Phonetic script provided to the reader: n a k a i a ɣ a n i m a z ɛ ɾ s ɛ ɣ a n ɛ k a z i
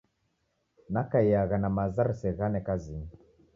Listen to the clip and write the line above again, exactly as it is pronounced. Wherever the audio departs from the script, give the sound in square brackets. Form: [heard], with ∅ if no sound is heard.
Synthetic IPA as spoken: n a k a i a ɣ a n [a] m a z [a] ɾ s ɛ ɣ a n ɛ k a z i